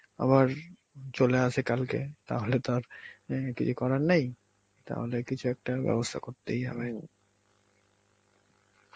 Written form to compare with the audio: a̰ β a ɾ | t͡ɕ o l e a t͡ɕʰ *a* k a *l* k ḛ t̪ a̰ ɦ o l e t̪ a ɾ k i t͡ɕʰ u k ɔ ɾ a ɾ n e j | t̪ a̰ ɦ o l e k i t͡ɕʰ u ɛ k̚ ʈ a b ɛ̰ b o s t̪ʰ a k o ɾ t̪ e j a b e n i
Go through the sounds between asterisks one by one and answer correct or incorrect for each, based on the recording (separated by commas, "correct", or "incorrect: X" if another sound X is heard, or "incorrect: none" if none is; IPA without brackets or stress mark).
incorrect: e, correct